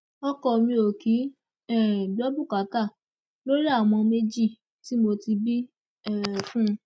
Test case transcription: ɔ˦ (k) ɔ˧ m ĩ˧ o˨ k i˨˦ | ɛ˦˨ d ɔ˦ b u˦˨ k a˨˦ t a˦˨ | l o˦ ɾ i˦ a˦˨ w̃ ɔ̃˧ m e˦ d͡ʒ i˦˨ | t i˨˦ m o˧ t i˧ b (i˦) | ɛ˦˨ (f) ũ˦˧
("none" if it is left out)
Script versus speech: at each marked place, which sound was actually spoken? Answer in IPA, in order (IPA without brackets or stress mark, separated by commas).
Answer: k, i˦, f